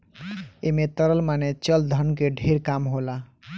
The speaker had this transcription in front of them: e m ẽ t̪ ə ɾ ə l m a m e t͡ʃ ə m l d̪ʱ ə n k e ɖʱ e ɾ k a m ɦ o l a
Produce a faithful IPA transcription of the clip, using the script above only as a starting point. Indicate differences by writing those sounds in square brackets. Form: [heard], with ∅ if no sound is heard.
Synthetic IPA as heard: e m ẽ t̪ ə ɾ ə l m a [n] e t͡ʃ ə [∅] l d̪ʱ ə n k e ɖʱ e ɾ k a m ɦ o l a